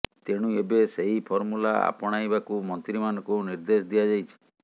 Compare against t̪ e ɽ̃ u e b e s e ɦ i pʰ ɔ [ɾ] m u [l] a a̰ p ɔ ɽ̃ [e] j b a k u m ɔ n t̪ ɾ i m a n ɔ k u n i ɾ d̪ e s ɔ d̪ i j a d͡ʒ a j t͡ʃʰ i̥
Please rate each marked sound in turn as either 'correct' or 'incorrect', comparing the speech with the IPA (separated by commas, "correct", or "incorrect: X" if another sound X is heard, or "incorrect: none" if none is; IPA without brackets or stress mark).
correct, correct, incorrect: a